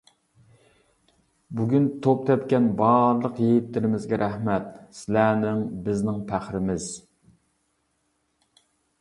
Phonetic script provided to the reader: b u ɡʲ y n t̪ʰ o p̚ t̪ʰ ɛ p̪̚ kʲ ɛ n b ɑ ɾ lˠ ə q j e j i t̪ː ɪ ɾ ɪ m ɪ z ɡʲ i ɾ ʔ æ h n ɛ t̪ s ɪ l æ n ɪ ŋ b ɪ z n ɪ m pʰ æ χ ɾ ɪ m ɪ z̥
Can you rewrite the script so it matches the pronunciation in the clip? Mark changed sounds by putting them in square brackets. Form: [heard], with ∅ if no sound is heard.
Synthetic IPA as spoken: b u ɡʲ y n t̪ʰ o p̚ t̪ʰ ɛ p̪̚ kʲ ɛ n b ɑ ɾ lˠ ə q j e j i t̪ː ɪ ɾ ɪ m ɪ z ɡʲ [ɛ] ɾ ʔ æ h [m] ɛ t̪ s ɪ l æ n ɪ ŋ b ɪ z n ɪ [ŋ] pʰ æ χ ɾ ɪ m ɪ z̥

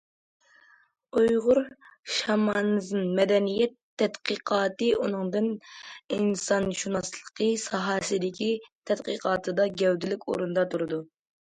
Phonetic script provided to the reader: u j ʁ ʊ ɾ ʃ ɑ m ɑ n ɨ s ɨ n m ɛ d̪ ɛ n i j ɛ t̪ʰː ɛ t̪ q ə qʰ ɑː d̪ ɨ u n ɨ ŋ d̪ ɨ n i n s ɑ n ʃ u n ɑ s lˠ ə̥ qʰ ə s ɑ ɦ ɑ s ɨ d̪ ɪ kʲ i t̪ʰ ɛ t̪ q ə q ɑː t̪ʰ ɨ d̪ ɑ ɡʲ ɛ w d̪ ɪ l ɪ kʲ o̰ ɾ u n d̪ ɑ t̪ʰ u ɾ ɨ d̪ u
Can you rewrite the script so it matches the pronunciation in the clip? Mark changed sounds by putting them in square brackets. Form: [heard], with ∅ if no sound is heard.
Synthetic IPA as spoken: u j ʁ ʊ ɾ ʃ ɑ m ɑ n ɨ [z] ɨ n m ɛ d̪ ɛ n i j ɛ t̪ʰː ɛ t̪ q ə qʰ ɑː [t̪] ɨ u n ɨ ŋ d̪ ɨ n i n s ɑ n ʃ u n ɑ s lˠ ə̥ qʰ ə s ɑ ɦ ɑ s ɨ d̪ ɪ kʲ i t̪ʰ ɛ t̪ q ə q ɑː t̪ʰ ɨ d̪ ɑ ɡʲ ɛ w d̪ ɪ l ɪ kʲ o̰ ɾ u n d̪ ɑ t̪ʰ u ɾ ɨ d̪ u

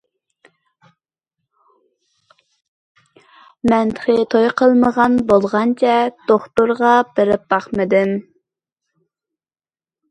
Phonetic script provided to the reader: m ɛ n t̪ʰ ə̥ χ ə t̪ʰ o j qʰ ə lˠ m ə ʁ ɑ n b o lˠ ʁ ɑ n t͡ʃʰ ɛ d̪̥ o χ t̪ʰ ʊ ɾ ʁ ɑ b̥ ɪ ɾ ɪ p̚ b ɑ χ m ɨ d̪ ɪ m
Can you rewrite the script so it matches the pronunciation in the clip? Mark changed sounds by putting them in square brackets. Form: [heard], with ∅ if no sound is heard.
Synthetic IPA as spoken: m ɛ n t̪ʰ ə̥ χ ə t̪ʰ o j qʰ ə lˠ m ə ʁ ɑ n b o lˠ ʁ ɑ n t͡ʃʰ ɛ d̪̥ o χ [t̪] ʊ ɾ ʁ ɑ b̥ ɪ ɾ ɪ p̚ b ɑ χ m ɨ d̪ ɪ m

